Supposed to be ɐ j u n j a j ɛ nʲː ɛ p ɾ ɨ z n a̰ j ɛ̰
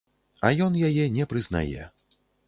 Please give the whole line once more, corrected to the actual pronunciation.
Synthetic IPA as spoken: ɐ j ɔ n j a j ɛ nʲ ɛ p ɾ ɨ z n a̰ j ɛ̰